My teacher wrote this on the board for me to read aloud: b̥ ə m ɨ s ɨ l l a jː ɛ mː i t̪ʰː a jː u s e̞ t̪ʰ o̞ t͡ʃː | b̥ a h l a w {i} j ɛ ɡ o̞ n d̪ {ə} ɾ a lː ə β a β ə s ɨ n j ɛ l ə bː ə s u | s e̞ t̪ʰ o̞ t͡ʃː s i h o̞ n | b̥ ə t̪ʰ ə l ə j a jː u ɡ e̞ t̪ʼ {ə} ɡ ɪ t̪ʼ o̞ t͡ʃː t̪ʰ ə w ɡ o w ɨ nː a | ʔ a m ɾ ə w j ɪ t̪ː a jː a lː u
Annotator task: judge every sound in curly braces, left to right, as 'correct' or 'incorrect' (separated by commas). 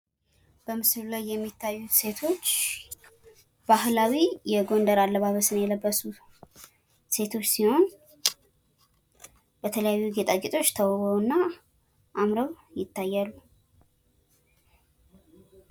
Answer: correct, correct, incorrect